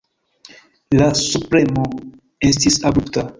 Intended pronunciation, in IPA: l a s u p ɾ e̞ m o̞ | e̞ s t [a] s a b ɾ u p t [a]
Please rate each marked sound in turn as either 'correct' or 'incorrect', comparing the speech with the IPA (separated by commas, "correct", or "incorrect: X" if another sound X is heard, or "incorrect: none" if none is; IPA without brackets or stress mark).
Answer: incorrect: i, correct